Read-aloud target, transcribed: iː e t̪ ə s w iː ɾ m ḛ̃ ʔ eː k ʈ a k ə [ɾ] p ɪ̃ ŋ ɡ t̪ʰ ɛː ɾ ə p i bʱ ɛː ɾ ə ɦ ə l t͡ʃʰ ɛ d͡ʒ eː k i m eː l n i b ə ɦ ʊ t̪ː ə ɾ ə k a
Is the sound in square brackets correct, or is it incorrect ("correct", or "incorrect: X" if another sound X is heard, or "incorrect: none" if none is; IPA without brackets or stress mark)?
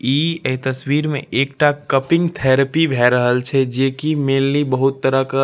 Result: incorrect: none